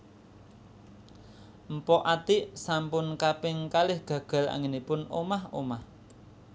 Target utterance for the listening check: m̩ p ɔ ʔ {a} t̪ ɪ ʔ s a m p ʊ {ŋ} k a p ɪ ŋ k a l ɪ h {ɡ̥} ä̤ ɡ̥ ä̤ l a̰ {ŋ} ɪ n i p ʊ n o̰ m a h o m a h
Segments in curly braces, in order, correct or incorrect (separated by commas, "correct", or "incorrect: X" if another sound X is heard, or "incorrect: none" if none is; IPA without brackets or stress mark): correct, incorrect: n, correct, correct